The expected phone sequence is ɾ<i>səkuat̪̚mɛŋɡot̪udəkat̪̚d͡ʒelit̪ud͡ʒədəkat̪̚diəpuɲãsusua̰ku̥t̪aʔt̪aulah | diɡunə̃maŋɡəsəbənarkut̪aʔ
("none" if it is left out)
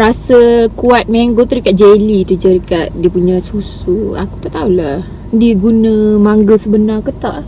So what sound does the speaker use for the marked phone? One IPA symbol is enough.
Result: a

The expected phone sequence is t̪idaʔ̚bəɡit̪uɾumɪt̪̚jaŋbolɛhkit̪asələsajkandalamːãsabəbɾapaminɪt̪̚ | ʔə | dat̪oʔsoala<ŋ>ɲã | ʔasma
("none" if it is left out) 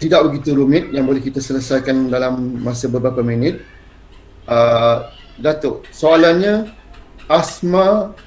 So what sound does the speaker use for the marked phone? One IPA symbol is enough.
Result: n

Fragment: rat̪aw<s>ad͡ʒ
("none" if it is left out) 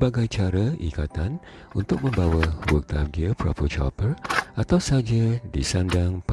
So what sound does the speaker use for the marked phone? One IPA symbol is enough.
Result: s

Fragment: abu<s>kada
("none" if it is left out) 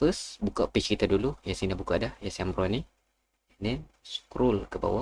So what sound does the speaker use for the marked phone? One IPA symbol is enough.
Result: none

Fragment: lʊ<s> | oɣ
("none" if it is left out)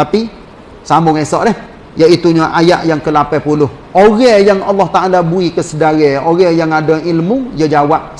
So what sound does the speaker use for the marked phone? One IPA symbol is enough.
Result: h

